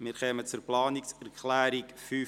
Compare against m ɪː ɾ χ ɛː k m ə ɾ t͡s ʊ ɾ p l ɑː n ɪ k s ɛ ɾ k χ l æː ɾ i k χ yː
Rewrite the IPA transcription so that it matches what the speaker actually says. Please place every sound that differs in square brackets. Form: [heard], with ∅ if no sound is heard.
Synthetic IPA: m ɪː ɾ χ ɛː [∅] m ə [∅] t͡s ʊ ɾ p l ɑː n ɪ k s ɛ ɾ k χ l æː ɾ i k [f] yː